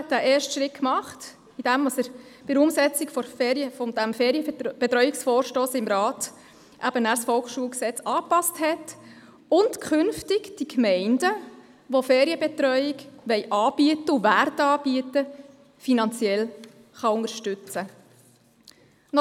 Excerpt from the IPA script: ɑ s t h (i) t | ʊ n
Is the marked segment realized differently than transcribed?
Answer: yes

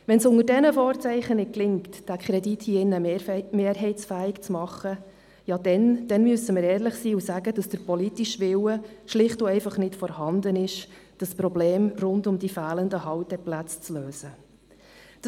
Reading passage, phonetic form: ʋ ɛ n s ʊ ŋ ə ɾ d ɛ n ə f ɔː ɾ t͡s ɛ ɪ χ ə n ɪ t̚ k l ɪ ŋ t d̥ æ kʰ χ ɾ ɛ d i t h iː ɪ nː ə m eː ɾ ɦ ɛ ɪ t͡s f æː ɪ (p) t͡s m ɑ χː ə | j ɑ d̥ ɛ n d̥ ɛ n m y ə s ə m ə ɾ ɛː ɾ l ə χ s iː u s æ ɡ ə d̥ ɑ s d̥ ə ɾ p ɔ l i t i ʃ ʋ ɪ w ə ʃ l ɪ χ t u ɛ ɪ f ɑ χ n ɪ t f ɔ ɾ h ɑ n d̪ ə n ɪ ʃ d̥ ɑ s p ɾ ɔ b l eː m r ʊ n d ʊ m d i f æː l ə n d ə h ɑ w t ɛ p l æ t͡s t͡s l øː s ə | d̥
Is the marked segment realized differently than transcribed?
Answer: yes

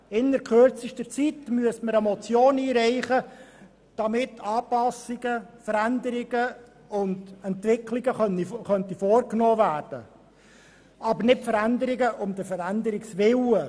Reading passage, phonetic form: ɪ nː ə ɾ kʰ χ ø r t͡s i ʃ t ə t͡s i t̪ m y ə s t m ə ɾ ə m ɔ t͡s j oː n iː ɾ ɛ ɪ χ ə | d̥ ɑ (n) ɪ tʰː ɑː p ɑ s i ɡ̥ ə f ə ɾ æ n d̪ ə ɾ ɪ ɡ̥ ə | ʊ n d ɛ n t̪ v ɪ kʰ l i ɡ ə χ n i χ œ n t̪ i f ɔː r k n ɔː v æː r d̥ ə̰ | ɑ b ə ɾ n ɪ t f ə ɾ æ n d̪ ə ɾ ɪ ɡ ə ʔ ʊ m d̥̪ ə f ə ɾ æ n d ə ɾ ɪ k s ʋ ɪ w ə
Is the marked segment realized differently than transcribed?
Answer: yes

